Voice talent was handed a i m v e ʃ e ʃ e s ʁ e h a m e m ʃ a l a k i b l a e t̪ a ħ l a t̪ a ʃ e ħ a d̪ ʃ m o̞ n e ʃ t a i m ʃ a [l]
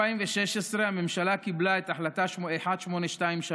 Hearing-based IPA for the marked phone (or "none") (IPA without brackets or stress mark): none